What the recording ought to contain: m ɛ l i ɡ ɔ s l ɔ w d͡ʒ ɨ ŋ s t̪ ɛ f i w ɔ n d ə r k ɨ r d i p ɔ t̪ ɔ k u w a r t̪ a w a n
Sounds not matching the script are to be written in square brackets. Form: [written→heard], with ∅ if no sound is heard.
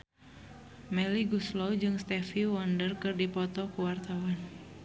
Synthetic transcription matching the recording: m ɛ l i ɡ [ɔ→u] s l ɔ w d͡ʒ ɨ ŋ s t̪ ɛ f i w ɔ n d ə r k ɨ r d i p ɔ t̪ ɔ k u w a r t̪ a w a n

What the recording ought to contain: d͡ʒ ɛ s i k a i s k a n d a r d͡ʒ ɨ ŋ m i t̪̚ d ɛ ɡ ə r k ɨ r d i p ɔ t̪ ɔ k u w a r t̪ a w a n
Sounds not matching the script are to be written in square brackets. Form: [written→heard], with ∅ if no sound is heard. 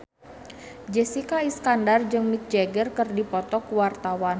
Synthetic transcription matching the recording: d͡ʒ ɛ s i k a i s k a n d a r d͡ʒ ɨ ŋ m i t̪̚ [d→d͡ʒ] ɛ ɡ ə r k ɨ r d i p ɔ t̪ ɔ k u w a r t̪ a w a n

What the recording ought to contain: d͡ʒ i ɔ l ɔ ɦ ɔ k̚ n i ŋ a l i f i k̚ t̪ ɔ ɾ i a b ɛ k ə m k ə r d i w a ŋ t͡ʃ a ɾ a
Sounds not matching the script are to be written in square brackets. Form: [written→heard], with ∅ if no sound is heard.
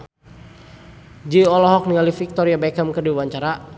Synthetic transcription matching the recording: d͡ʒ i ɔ l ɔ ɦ ɔ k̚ n i ŋ a l i f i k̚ t̪ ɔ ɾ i a b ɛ k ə m k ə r d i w a [ŋ→ɲ] t͡ʃ a ɾ a

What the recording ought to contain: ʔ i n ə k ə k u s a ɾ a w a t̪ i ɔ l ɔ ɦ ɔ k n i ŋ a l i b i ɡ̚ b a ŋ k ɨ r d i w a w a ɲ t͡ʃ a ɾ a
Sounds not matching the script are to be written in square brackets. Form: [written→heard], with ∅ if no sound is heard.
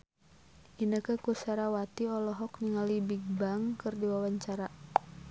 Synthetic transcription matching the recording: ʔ i n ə k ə k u s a ɾ a w a t̪ i ɔ l ɔ ɦ ɔ k n i ŋ a l i b i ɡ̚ b a ŋ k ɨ r d i w a w a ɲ t͡ʃ a ɾ a

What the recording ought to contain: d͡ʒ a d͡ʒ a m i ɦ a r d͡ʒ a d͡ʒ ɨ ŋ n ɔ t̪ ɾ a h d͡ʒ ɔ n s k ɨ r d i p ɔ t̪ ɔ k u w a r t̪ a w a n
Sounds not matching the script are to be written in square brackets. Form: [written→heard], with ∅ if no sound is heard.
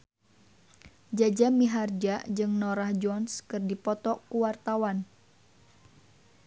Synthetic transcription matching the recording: d͡ʒ a d͡ʒ a m i ɦ a r d͡ʒ a d͡ʒ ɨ ŋ n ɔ [t̪→∅] ɾ a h d͡ʒ ɔ n s k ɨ r d i p ɔ t̪ ɔ k u w a r t̪ a w a n

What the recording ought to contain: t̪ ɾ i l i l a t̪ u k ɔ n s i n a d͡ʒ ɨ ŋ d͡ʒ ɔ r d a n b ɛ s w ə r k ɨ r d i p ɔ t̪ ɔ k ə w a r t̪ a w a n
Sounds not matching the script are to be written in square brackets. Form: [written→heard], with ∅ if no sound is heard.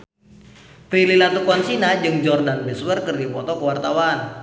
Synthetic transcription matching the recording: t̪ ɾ i l i l a t̪ u k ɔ n s i n a d͡ʒ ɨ ŋ d͡ʒ ɔ r d a n b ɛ s w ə r k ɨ r d i p ɔ t̪ ɔ k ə w a r t̪ a w a n

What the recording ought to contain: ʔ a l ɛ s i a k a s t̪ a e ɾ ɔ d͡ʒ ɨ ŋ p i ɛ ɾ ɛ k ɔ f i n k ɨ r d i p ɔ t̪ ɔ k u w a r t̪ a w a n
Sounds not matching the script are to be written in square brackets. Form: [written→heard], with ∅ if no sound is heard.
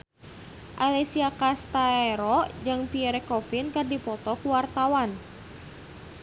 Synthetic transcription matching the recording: ʔ a l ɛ s i a k a s t̪ a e ɾ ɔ d͡ʒ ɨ ŋ p i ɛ ɾ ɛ k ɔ f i n k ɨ r d i p ɔ t̪ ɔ k u w a r t̪ a w a n

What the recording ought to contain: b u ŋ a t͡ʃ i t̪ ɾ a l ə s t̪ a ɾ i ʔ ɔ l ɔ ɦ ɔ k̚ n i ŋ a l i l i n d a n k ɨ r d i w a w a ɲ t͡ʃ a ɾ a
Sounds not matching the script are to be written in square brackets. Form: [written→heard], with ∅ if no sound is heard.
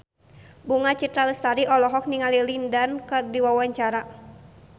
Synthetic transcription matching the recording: b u ŋ a t͡ʃ i t̪ ɾ a l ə s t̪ a ɾ i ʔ ɔ l ɔ ɦ ɔ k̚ n i ŋ a l i l i n d a n k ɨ r d i w a w a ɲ t͡ʃ a ɾ a

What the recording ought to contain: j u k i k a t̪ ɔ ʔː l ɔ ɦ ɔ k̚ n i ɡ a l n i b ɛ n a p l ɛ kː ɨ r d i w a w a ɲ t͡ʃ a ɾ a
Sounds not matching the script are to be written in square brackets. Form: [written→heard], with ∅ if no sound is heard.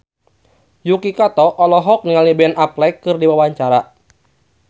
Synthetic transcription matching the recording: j u k i k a t̪ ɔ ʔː l ɔ ɦ ɔ k̚ n i [ɡ→ŋ] a l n i b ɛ n a p l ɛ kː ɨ r d i w a w a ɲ t͡ʃ a ɾ a

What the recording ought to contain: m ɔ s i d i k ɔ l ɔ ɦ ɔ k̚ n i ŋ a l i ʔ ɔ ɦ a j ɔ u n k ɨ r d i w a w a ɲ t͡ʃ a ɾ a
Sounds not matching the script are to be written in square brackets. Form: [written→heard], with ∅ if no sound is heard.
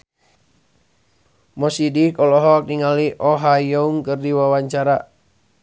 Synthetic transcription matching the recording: m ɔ s i d i k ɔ l ɔ ɦ ɔ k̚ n i ŋ a l i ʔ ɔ ɦ a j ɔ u [n→ŋ] k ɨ r d i w a w a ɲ t͡ʃ a ɾ a

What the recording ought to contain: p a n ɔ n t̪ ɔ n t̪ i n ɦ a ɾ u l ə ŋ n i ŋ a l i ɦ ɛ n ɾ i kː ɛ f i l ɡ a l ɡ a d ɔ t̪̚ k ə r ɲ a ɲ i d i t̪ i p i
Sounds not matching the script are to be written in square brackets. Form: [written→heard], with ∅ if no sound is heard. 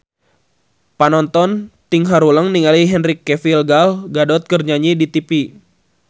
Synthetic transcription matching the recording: p a n ɔ n t̪ ɔ n t̪ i [n→ŋ] ɦ a ɾ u l ə ŋ n i ŋ a l i ɦ ɛ n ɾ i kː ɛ f i l ɡ a l ɡ a d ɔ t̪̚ k ə r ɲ a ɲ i d i t̪ i p i

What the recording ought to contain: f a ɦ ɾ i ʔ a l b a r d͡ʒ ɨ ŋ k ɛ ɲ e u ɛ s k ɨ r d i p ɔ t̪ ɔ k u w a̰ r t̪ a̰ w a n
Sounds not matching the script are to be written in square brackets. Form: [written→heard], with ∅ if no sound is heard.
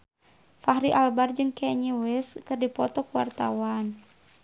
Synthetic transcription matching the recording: f a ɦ ɾ i ʔ a l b a r d͡ʒ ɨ ŋ k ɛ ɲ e [u→w] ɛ s k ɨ r d i p ɔ t̪ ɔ k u w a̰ r t̪ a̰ w a n

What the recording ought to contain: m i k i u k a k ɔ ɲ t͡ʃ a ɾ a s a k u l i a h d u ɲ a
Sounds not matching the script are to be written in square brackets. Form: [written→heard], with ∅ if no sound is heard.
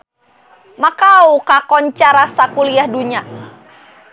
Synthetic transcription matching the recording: m [i→a] k [i→a] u k a k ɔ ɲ t͡ʃ a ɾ a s a k u l i a h d u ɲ a

